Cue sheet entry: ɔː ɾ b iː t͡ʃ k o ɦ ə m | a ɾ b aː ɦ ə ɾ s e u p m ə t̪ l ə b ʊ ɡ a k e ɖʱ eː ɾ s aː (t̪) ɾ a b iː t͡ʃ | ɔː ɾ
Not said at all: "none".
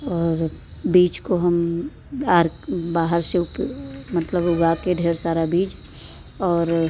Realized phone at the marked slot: none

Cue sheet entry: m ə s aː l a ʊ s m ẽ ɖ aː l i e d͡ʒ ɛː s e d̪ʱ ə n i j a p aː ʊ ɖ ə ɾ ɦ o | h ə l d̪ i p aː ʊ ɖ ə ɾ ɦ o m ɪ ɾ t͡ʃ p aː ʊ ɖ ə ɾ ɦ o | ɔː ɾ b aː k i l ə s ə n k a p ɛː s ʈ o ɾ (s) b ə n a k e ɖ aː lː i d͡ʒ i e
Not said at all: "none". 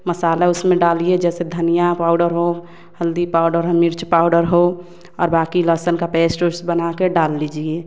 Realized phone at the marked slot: s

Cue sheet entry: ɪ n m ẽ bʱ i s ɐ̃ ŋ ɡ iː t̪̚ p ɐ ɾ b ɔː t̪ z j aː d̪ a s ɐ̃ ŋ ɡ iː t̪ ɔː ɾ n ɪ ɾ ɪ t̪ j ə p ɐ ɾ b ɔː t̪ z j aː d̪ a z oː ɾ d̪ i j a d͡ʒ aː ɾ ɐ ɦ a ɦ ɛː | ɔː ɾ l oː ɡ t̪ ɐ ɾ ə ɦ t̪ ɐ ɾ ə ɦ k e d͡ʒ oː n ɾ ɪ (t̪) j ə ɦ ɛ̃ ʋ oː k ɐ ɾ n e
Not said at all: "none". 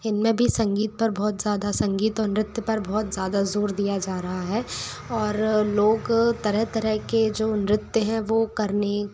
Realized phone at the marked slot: t̪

